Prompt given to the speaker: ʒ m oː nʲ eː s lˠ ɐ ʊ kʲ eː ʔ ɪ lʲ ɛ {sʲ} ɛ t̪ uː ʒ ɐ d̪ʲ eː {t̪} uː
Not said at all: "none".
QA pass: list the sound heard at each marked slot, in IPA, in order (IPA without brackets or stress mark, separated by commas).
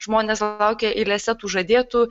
sʲ, t̪